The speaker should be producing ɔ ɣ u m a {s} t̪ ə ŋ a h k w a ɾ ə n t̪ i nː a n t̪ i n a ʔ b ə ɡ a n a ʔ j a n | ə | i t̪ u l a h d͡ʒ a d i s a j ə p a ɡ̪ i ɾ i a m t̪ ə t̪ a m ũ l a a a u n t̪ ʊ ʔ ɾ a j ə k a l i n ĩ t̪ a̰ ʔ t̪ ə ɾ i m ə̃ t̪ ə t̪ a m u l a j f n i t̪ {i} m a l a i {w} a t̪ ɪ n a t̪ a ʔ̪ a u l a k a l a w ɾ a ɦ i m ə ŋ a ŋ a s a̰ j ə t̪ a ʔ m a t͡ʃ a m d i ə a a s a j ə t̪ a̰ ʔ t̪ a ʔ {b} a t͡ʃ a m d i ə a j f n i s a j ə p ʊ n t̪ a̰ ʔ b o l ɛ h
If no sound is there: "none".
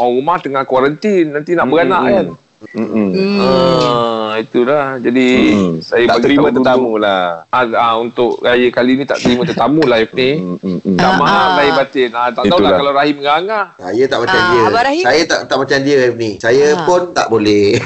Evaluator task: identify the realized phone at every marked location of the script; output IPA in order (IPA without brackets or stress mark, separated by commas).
h, a, b, m